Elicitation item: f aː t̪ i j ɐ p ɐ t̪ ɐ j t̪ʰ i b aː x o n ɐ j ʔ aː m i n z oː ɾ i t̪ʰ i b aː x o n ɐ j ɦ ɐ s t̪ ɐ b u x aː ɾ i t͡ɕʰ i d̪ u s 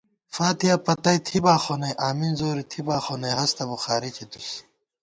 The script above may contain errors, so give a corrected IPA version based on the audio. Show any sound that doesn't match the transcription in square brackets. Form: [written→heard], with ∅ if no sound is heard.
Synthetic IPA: f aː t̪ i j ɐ p ɐ t̪ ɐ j t̪ʰ i b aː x o n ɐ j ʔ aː m i n z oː ɾ i t̪ʰ i b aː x o n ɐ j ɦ ɐ s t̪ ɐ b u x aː ɾ i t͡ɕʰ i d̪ u s